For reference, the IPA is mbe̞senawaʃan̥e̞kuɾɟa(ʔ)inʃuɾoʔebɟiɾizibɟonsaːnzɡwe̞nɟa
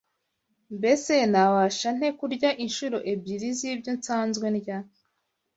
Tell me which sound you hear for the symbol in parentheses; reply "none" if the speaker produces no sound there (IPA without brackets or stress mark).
ʔ